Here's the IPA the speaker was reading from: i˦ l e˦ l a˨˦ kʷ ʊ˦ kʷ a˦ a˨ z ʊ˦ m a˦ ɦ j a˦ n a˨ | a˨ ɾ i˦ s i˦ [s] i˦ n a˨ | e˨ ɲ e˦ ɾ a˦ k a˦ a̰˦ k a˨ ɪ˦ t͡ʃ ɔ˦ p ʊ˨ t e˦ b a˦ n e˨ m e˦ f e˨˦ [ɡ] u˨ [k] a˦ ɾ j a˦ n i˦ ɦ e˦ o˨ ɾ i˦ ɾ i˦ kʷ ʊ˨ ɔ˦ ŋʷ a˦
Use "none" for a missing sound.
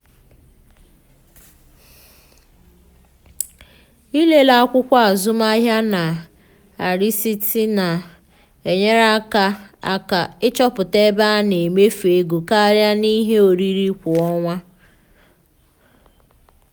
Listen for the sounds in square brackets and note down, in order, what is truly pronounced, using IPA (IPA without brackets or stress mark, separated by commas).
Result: t, ɡ, k